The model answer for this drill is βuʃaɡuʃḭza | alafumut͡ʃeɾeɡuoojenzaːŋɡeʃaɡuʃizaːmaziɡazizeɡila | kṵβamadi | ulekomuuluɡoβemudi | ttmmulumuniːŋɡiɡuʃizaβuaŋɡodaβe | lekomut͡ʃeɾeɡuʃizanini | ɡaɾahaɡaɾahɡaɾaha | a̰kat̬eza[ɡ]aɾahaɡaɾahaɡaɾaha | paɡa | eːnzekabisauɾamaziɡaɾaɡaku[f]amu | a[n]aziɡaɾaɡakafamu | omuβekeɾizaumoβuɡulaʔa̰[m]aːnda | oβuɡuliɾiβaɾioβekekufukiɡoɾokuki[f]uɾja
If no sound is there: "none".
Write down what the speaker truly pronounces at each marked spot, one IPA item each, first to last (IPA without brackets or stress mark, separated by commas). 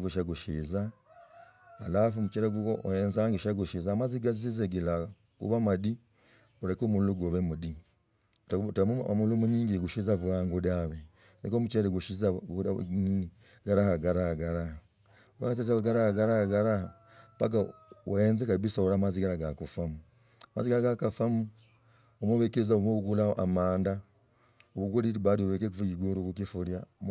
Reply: ɡ, f, m, m, f